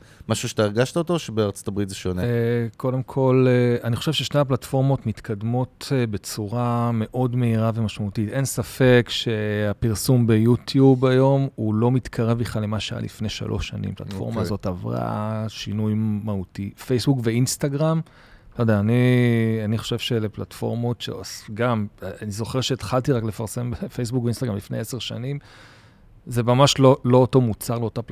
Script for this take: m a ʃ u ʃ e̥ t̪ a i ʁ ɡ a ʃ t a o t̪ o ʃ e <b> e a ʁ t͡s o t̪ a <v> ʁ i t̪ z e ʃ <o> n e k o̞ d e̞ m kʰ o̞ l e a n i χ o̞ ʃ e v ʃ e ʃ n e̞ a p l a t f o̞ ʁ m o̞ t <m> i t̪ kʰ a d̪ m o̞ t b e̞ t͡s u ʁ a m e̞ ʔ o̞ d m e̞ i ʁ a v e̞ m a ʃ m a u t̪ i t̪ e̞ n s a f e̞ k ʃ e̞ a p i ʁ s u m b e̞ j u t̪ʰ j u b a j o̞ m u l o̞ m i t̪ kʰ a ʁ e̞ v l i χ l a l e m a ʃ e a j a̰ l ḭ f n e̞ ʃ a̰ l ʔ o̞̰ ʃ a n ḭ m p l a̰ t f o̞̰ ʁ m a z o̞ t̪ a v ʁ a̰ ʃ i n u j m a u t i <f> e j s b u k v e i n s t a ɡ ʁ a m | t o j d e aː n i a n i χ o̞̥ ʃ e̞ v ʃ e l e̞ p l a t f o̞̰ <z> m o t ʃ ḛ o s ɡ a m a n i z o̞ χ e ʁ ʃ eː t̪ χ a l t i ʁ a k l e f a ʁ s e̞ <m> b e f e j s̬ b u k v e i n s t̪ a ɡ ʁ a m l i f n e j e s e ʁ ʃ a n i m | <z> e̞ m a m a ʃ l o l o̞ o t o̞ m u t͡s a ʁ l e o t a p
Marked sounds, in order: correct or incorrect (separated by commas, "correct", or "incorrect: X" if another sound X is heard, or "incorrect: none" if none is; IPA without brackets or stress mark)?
correct, incorrect: b, correct, correct, correct, incorrect: ʁ, correct, correct